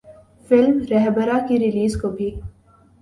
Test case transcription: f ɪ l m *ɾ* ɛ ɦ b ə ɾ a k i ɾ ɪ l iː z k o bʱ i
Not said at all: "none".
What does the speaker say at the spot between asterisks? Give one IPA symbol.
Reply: ɾ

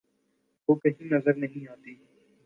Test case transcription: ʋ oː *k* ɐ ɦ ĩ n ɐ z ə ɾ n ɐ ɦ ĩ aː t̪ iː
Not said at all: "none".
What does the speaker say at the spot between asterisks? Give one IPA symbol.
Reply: k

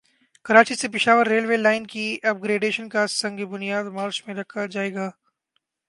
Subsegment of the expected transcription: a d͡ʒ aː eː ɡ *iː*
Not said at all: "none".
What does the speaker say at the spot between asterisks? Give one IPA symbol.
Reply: aː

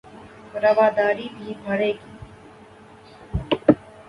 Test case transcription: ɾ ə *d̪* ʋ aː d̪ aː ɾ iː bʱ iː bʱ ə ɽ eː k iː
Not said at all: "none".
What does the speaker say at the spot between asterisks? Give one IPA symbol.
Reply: none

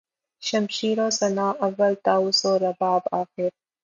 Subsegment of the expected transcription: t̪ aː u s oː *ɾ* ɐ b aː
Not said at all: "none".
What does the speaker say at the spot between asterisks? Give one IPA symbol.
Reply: ɾ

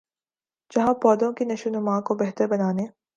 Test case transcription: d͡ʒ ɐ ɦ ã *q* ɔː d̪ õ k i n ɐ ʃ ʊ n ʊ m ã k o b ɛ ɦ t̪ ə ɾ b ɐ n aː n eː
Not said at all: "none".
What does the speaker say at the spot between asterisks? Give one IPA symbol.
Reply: p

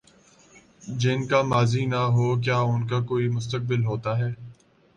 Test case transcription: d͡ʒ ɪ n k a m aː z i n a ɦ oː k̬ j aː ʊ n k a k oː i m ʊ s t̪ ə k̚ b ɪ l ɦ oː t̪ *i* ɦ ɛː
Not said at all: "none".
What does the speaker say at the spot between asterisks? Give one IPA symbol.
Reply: a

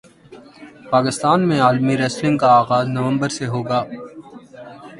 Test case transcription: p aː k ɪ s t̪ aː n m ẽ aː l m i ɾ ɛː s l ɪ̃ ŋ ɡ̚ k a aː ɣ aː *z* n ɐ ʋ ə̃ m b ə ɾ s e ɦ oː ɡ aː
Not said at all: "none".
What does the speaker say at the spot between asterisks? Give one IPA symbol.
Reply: z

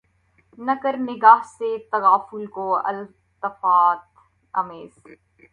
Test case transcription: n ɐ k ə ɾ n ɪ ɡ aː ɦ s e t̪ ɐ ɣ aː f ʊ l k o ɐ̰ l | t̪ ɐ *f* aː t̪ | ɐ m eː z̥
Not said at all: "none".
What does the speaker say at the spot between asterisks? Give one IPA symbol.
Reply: f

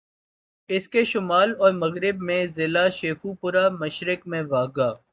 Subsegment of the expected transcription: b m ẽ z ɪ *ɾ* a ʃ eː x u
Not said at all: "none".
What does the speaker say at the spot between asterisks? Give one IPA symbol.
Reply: l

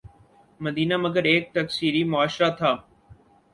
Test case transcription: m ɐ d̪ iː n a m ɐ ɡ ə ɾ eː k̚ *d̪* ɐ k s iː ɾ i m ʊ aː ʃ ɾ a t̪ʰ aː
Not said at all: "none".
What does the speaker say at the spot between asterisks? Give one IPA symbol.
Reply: t̪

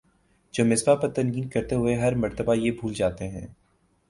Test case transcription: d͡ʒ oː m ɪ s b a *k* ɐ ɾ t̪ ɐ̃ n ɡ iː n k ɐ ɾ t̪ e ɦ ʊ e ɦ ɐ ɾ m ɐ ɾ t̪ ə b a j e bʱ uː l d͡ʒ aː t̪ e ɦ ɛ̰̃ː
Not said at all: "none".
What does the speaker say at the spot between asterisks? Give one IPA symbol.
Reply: p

